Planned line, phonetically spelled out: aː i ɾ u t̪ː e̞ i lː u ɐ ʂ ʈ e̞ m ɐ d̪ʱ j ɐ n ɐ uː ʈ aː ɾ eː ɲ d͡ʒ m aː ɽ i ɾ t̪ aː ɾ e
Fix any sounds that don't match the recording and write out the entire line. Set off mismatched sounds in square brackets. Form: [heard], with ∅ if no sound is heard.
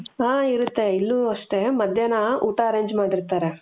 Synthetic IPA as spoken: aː i ɾ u t̪ː e̞ i lː u ɐ ʂ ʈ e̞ m ɐ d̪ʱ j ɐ n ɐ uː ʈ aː ɾ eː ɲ d͡ʒ m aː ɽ i ɾ t̪ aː ɾ e